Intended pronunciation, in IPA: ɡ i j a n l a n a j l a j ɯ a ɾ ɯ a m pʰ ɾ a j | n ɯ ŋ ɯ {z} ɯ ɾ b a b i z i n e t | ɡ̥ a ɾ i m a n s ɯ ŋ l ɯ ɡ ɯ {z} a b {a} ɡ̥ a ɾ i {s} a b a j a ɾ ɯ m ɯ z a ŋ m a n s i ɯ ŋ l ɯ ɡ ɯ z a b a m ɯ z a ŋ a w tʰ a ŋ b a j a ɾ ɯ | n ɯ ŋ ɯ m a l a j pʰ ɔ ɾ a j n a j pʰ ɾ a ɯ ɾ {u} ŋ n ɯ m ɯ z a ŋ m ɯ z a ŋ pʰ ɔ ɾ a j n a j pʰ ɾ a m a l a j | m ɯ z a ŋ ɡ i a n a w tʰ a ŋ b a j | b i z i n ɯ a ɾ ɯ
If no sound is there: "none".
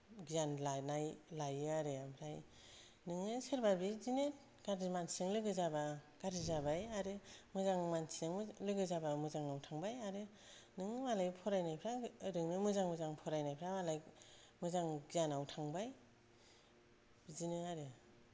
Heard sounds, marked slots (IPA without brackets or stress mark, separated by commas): s, z, a, z, ɯ